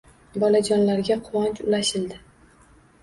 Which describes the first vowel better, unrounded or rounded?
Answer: rounded